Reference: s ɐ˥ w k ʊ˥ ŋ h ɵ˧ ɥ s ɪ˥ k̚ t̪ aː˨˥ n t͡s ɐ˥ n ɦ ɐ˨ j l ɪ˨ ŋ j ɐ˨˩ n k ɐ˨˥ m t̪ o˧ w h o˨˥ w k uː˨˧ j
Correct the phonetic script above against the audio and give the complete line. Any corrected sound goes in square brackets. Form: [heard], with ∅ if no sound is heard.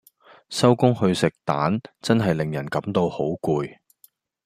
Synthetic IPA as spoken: s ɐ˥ w k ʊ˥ ŋ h ɵ˧ ɥ s [ɪ˨] k̚ t̪ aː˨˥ n t͡s ɐ˥ n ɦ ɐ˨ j l ɪ˨ ŋ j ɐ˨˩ n k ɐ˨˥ m t̪ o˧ w h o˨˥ w k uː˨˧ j